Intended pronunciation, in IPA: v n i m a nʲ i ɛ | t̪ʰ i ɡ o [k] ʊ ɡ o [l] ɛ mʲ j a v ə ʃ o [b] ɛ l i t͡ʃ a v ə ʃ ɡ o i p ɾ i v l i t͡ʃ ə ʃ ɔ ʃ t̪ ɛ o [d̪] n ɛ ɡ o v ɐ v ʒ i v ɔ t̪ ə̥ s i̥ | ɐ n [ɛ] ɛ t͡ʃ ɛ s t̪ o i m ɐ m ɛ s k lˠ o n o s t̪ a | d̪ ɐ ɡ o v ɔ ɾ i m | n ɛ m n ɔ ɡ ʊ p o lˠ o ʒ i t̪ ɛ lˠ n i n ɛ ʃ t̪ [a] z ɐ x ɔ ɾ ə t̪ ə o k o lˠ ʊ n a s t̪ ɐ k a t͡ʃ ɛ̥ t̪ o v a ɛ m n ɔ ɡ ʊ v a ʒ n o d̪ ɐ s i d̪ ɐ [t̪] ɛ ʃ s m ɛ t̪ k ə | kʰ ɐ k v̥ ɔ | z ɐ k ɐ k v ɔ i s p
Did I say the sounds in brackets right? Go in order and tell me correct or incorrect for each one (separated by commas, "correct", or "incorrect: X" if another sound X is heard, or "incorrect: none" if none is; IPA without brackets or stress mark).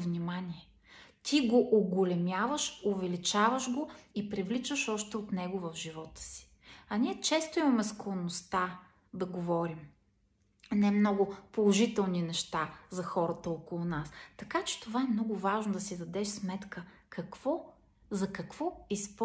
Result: incorrect: ʔ, correct, incorrect: v, incorrect: t̪, incorrect: i, correct, incorrect: d̪